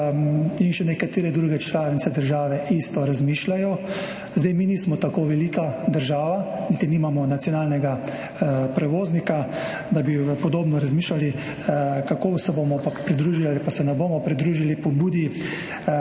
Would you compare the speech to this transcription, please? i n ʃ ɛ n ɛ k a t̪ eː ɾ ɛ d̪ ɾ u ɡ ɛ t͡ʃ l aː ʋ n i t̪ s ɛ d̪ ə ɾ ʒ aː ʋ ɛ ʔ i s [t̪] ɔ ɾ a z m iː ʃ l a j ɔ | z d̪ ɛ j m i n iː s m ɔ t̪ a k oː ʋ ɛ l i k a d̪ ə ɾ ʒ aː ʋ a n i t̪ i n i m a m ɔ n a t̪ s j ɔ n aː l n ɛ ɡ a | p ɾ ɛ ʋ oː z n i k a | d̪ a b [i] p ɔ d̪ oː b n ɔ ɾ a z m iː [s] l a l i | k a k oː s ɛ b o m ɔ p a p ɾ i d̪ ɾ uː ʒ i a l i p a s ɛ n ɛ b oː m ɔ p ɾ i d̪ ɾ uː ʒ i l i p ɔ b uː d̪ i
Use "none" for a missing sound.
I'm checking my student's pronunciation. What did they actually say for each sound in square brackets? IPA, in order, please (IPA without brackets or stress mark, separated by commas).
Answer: t̪, i, ʃ